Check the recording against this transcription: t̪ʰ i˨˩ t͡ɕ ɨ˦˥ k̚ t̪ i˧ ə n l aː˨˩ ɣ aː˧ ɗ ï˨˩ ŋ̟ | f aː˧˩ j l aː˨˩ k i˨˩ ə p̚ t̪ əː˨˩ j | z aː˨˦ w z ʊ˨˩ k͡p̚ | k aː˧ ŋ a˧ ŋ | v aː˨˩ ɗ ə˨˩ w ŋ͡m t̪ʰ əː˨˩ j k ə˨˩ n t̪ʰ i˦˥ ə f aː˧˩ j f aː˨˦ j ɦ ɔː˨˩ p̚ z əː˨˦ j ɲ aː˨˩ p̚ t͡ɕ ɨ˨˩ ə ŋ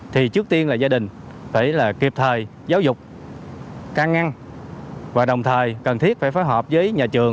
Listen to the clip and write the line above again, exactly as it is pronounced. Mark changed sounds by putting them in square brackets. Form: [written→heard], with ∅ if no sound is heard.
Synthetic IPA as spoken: t̪ʰ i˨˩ t͡ɕ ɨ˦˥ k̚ t̪ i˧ ə n l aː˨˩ [ɣ→z] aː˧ ɗ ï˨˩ ŋ̟ | f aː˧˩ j l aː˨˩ k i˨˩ ə p̚ [t̪→t̪ʰ] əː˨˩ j | z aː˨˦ w z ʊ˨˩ k͡p̚ | k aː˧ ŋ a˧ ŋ | v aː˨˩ ɗ ə˨˩ w ŋ͡m t̪ʰ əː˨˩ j k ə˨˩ n t̪ʰ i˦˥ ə f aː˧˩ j f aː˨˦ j ɦ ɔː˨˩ p̚ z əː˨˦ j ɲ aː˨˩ [p̚→∅] t͡ɕ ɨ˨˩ ə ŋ